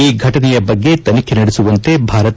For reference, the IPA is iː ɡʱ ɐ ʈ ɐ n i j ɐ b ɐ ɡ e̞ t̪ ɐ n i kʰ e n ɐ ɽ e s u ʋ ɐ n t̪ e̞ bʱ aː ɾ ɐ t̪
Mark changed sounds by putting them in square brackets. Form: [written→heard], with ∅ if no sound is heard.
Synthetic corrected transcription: iː ɡʱ ɐ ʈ ɐ n [i→ɛ] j ɐ b ɐ [ɡ→ɡː] e̞ t̪ ɐ n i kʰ e n ɐ ɽ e s u ʋ ɐ n t̪ e̞ bʱ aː ɾ ɐ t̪